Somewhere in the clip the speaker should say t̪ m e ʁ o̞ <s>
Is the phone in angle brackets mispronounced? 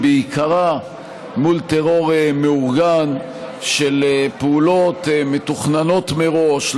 yes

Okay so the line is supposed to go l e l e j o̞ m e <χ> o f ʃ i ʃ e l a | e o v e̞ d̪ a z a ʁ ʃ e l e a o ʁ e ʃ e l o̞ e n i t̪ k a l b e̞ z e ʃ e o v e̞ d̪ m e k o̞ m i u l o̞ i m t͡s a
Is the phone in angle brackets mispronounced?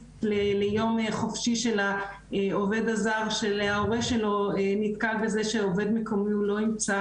no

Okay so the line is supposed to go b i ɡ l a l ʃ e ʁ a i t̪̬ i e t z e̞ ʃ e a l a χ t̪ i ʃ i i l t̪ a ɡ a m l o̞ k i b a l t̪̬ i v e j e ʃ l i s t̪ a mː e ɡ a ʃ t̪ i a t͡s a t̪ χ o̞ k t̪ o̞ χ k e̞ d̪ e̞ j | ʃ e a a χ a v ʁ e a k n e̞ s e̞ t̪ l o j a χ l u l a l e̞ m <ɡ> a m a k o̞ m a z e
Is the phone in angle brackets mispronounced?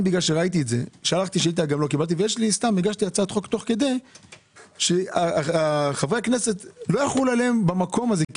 yes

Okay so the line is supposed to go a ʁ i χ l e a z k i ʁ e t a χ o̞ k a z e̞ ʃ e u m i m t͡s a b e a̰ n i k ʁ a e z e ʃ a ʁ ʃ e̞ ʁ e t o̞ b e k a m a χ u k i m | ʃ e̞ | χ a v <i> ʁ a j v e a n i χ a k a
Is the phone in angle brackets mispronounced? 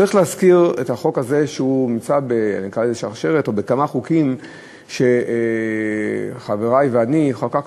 yes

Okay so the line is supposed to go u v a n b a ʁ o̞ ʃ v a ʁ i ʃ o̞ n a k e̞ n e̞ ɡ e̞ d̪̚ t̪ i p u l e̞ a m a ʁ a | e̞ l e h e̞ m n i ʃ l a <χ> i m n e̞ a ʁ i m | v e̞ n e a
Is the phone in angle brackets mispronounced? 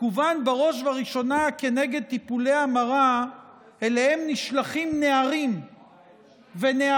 no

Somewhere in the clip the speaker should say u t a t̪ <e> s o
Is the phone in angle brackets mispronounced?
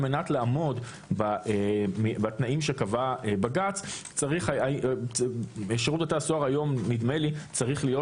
yes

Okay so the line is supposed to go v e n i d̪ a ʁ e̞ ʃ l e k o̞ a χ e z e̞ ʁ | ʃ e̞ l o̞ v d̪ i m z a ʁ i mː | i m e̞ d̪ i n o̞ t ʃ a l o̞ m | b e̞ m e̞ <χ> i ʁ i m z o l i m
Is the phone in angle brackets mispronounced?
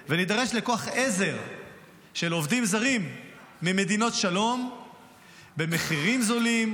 no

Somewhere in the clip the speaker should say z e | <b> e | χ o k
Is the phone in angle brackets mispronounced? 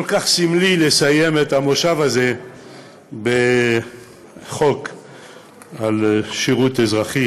no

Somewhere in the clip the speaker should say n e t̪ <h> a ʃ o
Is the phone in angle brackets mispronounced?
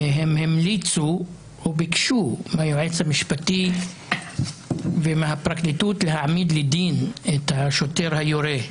no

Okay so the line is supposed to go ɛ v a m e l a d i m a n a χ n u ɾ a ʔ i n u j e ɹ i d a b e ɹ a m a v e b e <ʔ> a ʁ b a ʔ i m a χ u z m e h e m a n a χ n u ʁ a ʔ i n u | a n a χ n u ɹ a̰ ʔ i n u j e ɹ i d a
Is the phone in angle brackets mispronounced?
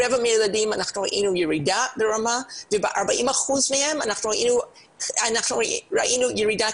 no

